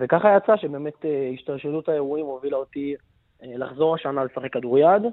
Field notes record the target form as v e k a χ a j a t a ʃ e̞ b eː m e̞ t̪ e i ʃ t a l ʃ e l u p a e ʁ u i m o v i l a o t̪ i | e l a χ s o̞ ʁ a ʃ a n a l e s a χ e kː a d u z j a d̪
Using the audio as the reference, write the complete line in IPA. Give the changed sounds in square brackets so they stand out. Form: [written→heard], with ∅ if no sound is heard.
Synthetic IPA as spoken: v e k a χ a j a [t→t͡s] a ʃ e̞ b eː m e̞ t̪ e i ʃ t a l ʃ e l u [p→t] a e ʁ u i m o v i l a o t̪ i | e l a χ [s→z] o̞ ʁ a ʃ a n a l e s a χ e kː a d u [z→ʁ] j a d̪